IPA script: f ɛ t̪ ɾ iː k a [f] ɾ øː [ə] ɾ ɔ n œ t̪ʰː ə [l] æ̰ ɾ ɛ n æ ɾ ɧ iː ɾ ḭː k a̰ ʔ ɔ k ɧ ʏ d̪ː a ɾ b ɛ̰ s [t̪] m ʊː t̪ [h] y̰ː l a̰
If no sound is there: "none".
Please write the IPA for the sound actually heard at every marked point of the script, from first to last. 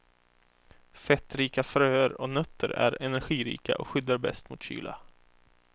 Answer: f, ə, ɾ, t̪, ɕ

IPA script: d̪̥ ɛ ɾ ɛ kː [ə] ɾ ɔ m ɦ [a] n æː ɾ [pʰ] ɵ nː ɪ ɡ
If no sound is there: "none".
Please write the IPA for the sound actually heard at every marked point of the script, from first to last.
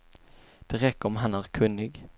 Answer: ə, a, kʰ

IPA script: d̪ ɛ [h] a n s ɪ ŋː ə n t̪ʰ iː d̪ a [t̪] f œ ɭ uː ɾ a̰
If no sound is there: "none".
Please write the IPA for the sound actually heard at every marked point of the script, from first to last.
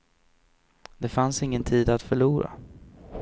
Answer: f, t̪

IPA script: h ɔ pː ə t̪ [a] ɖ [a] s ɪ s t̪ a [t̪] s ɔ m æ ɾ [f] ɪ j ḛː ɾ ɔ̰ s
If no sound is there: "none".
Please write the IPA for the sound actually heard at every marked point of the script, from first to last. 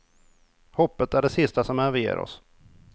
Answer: æ, ɛ, none, v

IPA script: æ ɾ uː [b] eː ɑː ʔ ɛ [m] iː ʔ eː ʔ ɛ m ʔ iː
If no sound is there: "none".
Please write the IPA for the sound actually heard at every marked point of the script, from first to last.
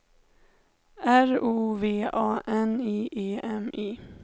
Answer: v, n

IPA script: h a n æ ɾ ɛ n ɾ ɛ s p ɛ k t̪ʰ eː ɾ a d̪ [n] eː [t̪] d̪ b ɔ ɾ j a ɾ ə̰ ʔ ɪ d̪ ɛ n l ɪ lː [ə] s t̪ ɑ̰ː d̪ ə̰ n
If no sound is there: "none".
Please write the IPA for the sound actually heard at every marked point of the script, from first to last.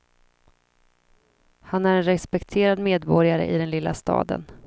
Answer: m, none, a

